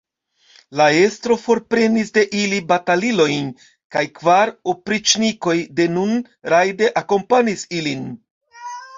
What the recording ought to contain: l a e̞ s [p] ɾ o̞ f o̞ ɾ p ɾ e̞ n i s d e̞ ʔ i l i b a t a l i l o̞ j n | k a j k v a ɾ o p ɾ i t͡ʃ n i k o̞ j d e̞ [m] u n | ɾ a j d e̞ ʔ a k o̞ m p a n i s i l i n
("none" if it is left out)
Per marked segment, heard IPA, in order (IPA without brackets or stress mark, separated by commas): t, n